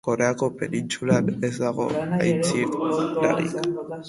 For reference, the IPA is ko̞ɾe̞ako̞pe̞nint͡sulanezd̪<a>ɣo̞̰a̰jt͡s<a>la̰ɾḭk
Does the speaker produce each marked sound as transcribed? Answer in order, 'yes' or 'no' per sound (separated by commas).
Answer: yes, no